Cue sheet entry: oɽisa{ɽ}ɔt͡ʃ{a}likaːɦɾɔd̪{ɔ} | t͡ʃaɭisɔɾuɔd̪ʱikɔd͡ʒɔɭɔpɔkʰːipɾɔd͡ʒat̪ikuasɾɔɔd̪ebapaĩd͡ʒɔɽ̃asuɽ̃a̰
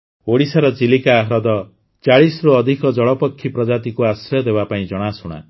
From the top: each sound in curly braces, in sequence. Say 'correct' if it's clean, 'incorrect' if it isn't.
incorrect, incorrect, correct

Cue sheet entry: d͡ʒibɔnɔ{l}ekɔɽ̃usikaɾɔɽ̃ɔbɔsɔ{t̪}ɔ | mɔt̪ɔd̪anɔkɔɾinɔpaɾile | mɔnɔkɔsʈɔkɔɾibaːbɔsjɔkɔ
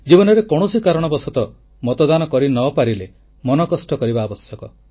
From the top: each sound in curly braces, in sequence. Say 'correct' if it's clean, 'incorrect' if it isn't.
incorrect, correct

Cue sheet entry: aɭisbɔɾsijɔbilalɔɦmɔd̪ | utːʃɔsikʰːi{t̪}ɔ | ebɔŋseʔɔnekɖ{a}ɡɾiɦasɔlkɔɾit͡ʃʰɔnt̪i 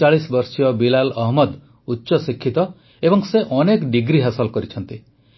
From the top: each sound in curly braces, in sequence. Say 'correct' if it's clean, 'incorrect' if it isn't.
correct, incorrect

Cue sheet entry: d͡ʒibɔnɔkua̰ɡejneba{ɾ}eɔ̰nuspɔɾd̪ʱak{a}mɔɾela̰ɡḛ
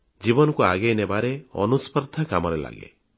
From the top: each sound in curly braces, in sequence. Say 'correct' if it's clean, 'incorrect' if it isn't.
correct, correct

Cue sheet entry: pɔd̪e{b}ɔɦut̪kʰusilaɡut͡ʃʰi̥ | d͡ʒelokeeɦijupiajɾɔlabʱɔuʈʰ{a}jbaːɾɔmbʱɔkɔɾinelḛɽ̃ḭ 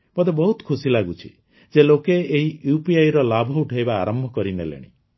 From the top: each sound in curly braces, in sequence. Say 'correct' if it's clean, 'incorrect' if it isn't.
correct, correct

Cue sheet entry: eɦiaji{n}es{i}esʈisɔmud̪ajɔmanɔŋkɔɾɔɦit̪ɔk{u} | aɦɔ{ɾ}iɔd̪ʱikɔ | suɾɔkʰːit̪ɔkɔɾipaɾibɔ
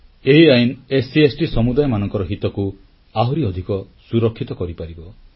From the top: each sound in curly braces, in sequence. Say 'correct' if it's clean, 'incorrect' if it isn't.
correct, correct, correct, correct

